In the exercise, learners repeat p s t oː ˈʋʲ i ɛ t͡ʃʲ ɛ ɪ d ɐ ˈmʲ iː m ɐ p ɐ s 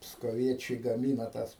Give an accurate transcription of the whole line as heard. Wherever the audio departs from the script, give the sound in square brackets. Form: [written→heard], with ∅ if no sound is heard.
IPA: p s [t→k] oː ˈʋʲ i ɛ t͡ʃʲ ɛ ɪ [d→ɡ] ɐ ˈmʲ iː [m→n] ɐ [p→t] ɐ s